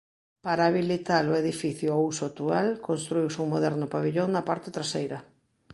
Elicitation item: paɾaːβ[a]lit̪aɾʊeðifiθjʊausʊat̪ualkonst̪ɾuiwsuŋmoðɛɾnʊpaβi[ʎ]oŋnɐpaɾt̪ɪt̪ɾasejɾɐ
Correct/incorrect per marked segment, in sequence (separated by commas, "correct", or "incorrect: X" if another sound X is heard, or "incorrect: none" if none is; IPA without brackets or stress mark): incorrect: i, correct